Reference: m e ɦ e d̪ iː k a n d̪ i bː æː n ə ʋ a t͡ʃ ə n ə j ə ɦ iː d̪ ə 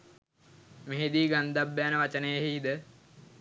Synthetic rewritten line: m e ɦ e d̪ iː ɡ a n d̪ a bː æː n ə ʋ a t͡ʃ ə n ə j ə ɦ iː d̪ ə